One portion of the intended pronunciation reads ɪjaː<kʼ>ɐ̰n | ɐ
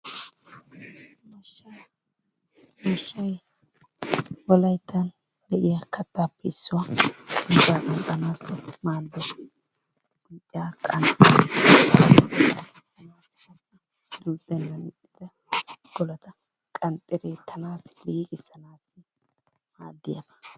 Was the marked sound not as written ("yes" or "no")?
no